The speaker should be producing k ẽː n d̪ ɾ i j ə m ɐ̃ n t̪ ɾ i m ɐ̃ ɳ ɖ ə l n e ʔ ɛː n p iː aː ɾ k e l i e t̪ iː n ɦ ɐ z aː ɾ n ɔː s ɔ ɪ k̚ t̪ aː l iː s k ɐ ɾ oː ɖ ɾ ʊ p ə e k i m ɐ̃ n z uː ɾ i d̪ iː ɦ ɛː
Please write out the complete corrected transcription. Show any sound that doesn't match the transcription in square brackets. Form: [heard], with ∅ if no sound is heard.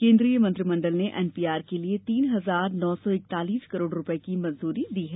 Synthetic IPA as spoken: k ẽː n d̪ ɾ i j ə m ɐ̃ n t̪ ɾ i m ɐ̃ ɳ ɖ ə l n e ʔ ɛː n p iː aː ɾ k e l i e t̪ iː n ɦ ɐ z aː ɾ n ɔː s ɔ ɪ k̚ t̪ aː l iː s k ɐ ɾ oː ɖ ɾ ʊ p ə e k i m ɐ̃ n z uː ɾ i d̪ iː ɦ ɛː